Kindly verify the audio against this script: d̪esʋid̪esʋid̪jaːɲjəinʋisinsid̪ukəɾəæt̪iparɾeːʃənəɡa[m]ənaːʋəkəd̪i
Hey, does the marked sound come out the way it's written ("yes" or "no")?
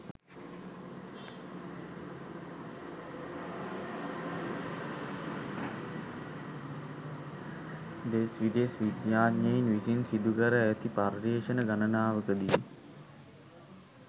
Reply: no